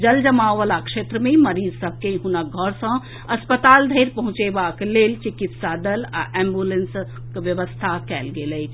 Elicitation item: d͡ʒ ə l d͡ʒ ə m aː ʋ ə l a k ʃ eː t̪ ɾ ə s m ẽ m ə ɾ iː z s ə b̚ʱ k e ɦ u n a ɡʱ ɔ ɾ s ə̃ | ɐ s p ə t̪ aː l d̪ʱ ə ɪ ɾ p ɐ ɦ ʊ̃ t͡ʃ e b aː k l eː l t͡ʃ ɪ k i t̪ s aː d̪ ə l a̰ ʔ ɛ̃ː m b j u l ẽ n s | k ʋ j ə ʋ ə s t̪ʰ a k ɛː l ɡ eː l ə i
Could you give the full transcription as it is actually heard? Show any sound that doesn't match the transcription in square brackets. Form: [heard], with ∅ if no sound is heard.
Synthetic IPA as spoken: d͡ʒ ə l d͡ʒ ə m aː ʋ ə l a k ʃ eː t̪ ɾ ə [∅] m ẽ m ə ɾ iː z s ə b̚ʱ k e ɦ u n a ɡʱ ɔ ɾ s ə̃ | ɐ s p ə t̪ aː l d̪ʱ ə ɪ ɾ p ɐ ɦ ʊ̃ t͡ʃ e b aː k l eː l t͡ʃ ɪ k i t̪ s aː d̪ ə l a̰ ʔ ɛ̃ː m b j u l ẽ n s | k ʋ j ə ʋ ə s t̪ʰ a k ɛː l ɡ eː l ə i